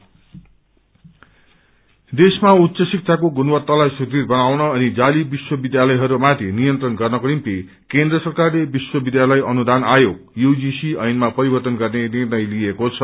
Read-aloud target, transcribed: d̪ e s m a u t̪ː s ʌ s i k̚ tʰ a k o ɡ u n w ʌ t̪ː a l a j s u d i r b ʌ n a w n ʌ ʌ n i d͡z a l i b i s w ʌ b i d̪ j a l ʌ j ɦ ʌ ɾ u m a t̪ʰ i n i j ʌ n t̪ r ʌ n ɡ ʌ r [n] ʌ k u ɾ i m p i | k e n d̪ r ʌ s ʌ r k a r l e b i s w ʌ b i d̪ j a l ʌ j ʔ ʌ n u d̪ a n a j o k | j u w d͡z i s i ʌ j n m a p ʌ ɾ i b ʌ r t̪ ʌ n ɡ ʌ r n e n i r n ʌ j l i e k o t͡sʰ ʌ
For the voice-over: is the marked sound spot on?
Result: yes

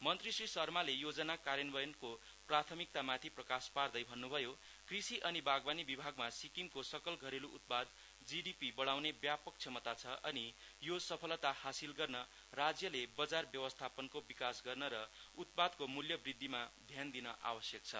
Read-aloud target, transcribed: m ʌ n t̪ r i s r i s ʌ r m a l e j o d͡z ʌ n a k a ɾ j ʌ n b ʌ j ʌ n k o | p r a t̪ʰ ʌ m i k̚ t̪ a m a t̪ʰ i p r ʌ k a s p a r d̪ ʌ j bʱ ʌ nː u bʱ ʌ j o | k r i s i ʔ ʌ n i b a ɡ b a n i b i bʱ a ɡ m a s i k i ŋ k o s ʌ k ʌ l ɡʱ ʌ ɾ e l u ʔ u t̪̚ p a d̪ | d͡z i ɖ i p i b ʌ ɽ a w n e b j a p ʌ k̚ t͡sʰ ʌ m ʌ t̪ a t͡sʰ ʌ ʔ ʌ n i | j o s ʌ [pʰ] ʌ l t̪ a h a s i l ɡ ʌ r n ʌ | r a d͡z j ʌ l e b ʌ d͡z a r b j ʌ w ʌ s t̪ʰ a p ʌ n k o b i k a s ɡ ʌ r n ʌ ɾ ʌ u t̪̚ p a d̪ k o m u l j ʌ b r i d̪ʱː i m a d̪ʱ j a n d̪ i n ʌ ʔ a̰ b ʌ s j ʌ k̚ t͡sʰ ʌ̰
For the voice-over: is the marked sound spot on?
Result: yes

